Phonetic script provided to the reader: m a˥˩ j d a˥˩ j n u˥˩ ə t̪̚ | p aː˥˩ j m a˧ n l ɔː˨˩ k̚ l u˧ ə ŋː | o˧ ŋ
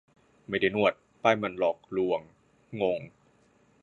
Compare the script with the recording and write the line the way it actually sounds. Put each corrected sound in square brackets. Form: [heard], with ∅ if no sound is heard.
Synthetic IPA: m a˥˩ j d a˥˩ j n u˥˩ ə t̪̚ | p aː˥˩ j m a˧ n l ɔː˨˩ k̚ l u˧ ə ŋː | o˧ ŋ

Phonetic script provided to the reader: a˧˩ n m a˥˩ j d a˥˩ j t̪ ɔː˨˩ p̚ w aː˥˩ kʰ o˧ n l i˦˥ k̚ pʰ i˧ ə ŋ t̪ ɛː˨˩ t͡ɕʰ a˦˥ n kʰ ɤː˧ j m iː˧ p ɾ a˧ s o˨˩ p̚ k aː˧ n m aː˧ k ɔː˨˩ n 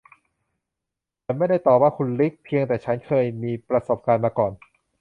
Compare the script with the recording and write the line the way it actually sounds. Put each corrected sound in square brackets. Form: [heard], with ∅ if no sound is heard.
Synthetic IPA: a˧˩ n m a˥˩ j d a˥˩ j t̪ ɔː˨˩ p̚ w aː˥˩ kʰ [u˧] n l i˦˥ k̚ pʰ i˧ ə ŋ t̪ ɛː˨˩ t͡ɕʰ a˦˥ n kʰ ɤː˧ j m iː˧ p ɾ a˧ s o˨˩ p̚ k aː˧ n m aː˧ k ɔː˨˩ n

